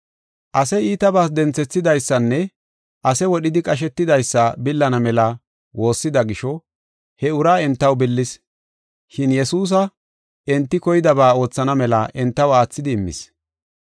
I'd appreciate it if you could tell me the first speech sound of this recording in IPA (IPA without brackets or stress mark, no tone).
ʔ